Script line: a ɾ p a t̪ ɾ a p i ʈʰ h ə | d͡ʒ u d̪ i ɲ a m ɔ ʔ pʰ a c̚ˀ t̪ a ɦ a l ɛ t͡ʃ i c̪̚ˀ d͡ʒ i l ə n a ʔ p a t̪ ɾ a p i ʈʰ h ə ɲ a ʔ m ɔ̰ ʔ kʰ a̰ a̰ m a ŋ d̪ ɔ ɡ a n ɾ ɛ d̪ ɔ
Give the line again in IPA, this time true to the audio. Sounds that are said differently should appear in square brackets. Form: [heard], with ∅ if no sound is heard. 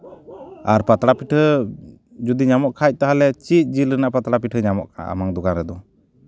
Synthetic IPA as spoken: a ɾ p a t̪ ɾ a p i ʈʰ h ə | d͡ʒ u d̪ i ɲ a m ɔ ʔ [kʰ] a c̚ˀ t̪ a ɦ a l ɛ t͡ʃ i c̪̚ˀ d͡ʒ i l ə n a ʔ p a t̪ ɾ a p i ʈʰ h ə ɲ a [∅] m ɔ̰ ʔ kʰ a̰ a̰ m a ŋ d̪ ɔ ɡ a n ɾ ɛ d̪ ɔ